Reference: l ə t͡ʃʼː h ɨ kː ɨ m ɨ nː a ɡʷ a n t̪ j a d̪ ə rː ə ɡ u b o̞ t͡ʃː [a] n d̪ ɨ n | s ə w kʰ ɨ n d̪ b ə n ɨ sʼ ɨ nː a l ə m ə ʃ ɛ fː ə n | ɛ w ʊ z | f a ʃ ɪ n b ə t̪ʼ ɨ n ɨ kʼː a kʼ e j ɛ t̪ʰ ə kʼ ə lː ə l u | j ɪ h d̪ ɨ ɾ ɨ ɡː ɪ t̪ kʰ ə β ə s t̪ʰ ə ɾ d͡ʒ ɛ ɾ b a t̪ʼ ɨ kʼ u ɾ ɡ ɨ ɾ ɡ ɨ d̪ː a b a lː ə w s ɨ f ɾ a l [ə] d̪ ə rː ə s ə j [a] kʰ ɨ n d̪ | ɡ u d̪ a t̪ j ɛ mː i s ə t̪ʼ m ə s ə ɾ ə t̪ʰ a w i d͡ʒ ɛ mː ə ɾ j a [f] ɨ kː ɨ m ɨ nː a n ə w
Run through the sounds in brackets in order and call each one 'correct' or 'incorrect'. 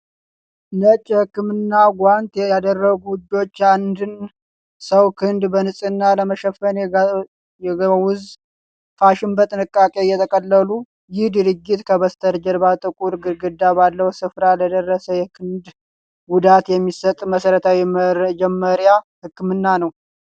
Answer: correct, correct, incorrect: ɛ, incorrect: h

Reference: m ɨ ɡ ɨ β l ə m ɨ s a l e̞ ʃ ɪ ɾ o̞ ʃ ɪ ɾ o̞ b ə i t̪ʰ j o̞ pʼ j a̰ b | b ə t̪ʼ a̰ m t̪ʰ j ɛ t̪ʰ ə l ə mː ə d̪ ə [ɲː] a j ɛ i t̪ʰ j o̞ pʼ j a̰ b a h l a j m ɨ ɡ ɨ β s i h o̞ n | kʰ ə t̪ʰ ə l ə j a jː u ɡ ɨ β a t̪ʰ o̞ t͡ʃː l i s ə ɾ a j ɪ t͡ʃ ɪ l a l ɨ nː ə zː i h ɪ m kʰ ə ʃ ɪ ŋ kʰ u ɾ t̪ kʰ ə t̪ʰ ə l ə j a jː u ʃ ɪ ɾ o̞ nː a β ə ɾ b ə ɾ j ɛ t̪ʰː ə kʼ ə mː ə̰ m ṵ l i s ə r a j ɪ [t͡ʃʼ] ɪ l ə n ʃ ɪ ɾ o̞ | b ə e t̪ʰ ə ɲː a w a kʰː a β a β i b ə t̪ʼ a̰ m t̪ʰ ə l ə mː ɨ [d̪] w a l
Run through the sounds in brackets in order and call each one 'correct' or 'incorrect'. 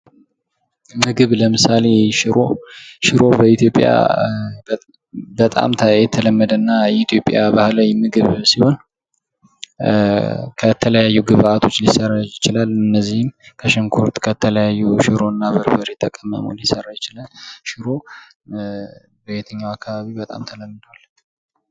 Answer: incorrect: nː, incorrect: t͡ʃ, correct

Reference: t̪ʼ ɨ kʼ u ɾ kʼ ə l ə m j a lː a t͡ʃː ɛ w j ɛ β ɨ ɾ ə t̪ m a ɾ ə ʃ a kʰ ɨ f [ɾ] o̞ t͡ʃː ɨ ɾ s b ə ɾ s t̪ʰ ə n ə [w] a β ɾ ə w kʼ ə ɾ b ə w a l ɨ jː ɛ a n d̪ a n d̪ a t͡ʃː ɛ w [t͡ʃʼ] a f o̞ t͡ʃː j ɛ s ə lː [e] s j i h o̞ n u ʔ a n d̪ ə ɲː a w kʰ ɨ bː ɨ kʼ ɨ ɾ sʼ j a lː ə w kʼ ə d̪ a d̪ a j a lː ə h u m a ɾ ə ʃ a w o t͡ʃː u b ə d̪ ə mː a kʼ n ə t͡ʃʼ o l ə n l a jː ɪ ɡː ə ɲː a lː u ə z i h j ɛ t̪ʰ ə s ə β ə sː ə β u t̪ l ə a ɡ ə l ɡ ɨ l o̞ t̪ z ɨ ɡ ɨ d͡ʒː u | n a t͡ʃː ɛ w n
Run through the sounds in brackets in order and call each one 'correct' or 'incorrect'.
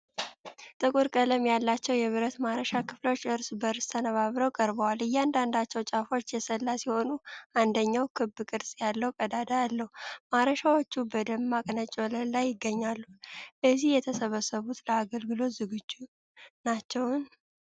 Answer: incorrect: l, incorrect: β, correct, incorrect: a

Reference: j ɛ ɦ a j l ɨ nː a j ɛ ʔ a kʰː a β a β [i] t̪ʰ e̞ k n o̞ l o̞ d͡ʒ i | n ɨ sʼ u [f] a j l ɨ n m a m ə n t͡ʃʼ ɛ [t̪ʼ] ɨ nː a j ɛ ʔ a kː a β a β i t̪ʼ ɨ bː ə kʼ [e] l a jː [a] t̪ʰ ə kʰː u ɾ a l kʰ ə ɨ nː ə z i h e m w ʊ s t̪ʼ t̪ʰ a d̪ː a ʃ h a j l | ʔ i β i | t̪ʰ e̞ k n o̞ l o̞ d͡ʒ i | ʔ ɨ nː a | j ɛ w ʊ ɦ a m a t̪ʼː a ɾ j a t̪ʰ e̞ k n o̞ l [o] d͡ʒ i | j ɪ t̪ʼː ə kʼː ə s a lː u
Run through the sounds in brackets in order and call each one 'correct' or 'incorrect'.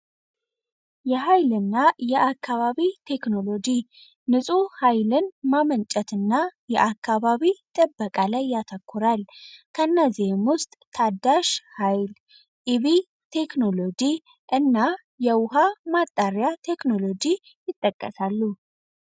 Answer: correct, incorrect: h, incorrect: t̪, incorrect: a, correct, correct

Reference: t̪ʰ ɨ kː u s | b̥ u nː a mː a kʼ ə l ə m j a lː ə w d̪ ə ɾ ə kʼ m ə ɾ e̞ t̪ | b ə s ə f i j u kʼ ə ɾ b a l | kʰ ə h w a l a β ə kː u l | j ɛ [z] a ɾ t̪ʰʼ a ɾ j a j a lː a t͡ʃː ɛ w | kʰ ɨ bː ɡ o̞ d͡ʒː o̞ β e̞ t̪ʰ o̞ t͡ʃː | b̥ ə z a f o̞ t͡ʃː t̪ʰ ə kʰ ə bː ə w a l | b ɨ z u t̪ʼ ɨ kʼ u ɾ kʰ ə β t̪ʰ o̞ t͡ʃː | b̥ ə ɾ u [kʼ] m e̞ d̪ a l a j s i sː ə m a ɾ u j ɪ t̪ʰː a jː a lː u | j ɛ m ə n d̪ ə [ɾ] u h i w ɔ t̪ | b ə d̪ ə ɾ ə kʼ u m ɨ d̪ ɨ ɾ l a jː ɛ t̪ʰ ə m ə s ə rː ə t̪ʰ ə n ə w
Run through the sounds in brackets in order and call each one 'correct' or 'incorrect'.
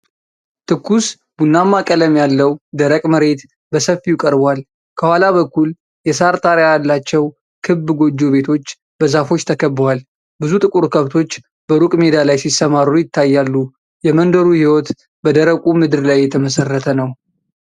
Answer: incorrect: s, correct, correct

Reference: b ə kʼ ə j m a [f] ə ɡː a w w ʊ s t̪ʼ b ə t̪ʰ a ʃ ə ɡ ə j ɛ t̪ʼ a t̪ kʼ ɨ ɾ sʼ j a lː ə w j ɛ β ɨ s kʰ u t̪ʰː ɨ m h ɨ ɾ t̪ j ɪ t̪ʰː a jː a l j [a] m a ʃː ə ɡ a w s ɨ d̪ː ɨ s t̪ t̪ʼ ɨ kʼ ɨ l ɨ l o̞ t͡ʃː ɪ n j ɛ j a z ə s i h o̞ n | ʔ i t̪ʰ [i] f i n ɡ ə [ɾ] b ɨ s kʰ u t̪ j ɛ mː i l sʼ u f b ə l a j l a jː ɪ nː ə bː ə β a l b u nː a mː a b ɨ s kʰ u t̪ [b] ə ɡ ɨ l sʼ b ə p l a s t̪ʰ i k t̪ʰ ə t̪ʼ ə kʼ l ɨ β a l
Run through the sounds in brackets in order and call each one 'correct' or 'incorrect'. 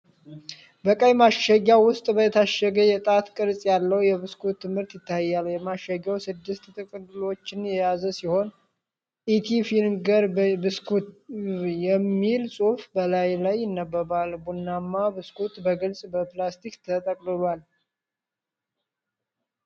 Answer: incorrect: ʃ, incorrect: ɛ, correct, correct, correct

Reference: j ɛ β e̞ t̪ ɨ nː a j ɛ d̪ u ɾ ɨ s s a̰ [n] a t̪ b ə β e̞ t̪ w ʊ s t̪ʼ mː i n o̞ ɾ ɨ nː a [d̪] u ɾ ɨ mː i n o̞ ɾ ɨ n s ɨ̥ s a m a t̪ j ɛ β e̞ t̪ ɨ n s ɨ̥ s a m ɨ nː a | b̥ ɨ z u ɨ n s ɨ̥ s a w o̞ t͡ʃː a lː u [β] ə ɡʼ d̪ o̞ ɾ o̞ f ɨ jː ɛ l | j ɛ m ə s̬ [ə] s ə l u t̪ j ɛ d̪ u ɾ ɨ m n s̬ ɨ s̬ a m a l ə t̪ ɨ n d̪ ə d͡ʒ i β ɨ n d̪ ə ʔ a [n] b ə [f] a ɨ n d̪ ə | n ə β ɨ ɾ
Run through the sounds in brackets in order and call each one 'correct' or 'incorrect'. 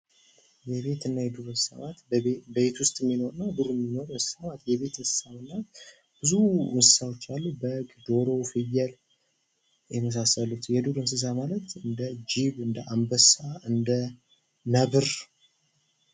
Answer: incorrect: m, correct, incorrect: b, incorrect: a, incorrect: m, incorrect: s

